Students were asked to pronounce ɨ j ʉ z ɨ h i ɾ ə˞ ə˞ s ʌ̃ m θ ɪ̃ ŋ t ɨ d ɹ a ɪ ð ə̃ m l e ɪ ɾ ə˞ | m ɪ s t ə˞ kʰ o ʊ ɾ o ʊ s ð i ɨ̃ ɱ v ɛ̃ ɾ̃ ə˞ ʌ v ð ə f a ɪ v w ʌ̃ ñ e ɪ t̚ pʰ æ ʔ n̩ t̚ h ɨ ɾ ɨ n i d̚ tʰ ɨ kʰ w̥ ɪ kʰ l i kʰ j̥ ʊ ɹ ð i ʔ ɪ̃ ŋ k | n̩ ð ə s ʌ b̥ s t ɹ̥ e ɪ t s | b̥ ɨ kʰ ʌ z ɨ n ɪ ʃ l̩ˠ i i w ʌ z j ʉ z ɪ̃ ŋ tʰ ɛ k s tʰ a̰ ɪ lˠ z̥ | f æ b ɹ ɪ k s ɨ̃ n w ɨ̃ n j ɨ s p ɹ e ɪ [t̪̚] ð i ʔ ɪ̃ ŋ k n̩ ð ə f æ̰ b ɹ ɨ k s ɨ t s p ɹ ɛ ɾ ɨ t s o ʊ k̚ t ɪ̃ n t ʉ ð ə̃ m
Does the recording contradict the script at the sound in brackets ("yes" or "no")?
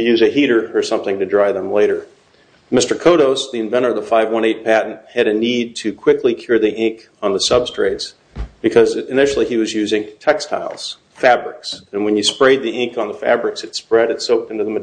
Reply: yes